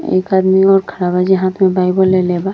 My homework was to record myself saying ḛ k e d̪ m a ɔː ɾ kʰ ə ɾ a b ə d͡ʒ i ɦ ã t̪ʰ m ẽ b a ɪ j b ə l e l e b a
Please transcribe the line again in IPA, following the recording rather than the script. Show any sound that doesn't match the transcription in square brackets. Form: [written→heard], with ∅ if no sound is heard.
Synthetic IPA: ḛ k [e→a] d̪ m [a→i] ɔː ɾ kʰ ə ɾ a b [ə→a] d͡ʒ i ɦ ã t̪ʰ m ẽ b a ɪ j b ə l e l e b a

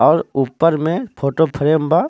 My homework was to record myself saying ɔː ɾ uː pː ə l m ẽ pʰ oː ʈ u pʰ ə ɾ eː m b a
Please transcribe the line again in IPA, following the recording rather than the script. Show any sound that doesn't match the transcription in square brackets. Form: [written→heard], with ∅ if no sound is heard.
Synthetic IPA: ɔː ɾ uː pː ə [l→ɾ] m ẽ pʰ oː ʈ [u→o] pʰ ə ɾ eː m b a

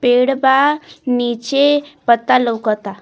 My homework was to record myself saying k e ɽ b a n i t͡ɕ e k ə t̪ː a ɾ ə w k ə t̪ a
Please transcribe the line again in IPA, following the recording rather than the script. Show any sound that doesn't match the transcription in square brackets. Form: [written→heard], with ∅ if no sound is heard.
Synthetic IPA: [k→p] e ɽ b a n i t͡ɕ e [k→p] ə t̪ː a [ɾ→l] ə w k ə t̪ a

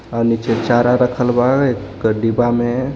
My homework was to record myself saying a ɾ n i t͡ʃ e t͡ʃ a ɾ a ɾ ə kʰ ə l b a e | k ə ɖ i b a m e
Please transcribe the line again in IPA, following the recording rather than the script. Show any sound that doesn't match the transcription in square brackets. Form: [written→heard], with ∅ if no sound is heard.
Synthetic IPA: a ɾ n i t͡ʃ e t͡ʃ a ɾ a ɾ ə kʰ ə l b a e | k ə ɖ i b a m e

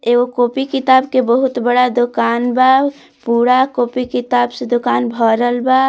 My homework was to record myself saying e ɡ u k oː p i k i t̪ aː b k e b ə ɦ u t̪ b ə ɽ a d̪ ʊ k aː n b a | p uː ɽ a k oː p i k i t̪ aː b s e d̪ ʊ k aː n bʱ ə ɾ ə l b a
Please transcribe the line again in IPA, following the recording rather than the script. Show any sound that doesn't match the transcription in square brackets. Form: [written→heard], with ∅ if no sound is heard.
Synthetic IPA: e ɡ [u→o] k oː p i k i t̪ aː b k e b ə ɦ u t̪ b ə ɽ a d̪ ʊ k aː n b a | p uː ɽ a k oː p i k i t̪ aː b s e d̪ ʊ k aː n bʱ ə ɾ ə l b a

